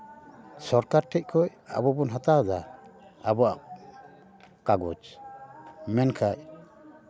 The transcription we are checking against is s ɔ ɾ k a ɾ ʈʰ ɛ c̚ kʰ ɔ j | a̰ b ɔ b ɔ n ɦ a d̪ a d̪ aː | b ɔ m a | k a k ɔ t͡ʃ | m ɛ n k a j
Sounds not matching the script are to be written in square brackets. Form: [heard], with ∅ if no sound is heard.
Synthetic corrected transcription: s ɔ ɾ k a ɾ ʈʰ ɛ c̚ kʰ ɔ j | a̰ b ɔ b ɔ n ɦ a [t̪] a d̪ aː | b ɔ [∅] a | k a [ɡ] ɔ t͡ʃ | m ɛ n [kʰ] a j